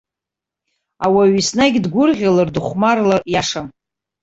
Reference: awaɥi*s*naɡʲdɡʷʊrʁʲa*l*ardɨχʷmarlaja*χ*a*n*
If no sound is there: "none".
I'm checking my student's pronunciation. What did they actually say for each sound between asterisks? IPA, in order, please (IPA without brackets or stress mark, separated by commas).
s, l, ʂ, m